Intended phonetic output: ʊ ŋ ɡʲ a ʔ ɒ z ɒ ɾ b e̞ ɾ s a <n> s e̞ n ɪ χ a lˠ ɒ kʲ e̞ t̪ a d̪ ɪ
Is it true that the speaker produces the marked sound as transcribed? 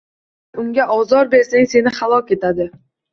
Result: no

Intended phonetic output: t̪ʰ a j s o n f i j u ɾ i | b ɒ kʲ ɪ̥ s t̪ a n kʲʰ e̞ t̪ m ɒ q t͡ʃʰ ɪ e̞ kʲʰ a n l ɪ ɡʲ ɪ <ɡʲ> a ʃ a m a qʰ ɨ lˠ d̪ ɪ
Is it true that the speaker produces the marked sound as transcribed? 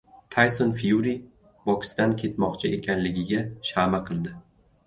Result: yes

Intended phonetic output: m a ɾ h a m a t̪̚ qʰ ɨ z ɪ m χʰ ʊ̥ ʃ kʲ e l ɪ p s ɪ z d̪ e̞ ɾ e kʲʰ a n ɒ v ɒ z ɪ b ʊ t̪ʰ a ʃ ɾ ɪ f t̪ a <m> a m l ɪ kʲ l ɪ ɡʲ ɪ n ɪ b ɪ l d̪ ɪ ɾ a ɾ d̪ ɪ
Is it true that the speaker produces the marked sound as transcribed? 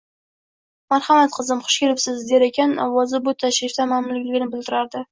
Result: yes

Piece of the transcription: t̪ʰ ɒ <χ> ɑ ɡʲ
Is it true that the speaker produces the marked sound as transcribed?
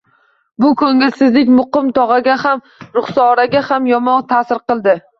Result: no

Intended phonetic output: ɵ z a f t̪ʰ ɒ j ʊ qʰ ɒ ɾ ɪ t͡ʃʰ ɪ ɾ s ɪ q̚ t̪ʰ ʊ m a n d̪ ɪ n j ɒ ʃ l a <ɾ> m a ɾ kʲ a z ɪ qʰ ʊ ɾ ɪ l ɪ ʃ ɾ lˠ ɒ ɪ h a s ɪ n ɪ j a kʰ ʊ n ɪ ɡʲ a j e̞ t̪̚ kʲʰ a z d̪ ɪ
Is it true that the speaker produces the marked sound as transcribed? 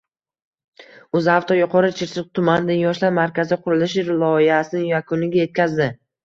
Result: yes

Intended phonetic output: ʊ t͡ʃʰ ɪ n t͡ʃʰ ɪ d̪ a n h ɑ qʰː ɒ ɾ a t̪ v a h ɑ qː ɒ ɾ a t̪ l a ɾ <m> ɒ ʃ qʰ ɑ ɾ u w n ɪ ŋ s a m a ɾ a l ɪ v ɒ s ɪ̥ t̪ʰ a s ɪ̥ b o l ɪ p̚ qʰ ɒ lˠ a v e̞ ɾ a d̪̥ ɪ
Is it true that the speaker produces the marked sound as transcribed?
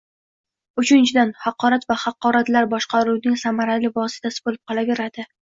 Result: no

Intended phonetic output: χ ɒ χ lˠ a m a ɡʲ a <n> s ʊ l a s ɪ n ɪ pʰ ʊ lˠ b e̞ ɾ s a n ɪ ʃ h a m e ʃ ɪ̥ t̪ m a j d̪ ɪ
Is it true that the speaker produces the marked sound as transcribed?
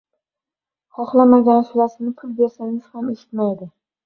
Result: yes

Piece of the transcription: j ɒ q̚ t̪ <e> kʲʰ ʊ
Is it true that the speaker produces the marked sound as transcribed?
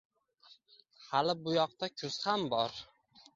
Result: no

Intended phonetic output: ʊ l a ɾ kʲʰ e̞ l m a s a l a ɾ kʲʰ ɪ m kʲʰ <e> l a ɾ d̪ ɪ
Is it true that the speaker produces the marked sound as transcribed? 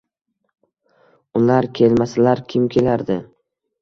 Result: yes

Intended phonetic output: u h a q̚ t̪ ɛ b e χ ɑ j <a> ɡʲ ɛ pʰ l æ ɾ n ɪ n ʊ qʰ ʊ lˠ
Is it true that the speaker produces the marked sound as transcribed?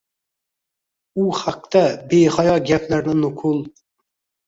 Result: no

